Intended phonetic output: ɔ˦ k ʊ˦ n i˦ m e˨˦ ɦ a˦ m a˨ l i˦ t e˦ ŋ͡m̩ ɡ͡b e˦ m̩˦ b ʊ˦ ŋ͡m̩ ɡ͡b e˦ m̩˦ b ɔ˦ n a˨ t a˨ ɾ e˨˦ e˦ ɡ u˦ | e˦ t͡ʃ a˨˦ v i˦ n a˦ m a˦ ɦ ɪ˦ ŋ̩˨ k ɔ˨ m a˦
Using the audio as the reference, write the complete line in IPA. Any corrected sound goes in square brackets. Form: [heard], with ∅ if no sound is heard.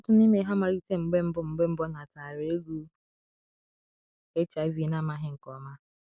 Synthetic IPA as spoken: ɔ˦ [t] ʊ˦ n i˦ m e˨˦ ɦ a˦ m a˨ [ɾ] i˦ t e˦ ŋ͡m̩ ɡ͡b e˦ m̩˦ b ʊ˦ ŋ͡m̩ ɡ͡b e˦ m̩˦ b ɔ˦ n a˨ t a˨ ɾ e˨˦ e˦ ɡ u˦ | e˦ t͡ʃ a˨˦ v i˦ n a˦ m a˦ ɦ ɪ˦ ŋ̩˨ k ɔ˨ m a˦